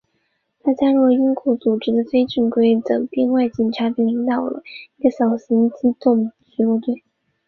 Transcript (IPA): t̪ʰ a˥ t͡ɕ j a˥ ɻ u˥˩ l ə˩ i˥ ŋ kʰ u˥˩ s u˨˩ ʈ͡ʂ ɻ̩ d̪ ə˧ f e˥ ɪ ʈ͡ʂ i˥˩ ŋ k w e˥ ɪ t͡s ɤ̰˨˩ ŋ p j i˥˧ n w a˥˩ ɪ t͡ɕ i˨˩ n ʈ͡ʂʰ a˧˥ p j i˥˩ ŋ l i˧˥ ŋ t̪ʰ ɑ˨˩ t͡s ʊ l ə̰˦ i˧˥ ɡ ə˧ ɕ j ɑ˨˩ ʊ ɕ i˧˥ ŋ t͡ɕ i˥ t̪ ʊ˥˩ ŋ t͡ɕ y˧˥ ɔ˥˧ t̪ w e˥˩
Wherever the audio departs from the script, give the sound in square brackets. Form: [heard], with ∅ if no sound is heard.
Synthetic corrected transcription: t̪ʰ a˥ t͡ɕ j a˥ ɻ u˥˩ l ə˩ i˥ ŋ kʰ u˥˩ [t͡s] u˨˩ ʈ͡ʂ ɻ̩ d̪ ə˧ f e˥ ɪ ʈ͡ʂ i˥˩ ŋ k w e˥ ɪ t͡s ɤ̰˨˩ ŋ p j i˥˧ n w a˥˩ ɪ t͡ɕ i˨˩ n ʈ͡ʂʰ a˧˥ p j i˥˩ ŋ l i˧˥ ŋ [t̪] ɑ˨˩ [∅] ʊ l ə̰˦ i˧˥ ɡ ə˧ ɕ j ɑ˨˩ ʊ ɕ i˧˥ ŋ t͡ɕ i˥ t̪ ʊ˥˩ ŋ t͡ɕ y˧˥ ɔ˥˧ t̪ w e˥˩